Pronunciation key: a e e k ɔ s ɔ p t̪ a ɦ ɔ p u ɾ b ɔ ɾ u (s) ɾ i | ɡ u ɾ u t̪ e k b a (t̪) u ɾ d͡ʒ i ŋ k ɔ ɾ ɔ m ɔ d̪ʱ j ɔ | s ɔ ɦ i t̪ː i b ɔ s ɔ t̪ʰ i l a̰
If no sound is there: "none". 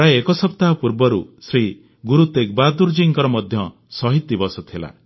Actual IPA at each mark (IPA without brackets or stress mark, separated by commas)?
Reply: s, d̪